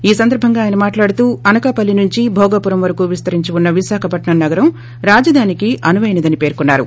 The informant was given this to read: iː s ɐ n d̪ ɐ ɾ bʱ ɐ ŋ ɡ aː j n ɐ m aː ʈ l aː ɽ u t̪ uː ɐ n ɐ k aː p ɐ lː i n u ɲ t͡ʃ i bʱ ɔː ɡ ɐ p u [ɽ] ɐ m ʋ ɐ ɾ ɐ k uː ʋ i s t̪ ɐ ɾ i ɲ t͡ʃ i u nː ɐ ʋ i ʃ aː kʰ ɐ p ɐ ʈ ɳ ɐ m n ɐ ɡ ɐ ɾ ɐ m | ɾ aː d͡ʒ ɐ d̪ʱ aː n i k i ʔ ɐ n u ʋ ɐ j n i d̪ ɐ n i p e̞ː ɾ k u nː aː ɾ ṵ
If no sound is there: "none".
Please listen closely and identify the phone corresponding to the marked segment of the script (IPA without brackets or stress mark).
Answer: ɾ